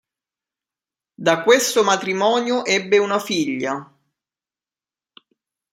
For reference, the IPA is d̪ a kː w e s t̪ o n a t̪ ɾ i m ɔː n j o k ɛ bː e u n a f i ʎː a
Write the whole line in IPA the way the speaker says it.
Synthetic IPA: d̪ a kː w e s t̪ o m a t̪ ɾ i m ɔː n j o ʔ ɛ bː e u n a f i ʎː a